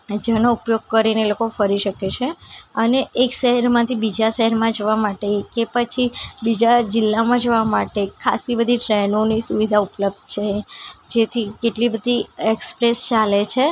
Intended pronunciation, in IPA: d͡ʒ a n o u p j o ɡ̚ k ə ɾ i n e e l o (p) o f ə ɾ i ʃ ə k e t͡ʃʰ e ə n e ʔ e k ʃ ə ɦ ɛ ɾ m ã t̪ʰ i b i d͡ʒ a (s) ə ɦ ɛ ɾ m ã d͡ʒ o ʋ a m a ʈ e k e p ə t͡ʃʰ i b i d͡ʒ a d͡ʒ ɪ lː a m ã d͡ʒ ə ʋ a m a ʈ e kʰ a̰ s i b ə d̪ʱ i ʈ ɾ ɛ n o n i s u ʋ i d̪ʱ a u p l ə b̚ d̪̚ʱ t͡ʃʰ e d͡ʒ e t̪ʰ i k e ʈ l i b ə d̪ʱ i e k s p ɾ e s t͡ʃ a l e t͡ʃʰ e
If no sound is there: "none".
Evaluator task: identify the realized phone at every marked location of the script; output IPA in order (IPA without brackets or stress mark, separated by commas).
k, ʃ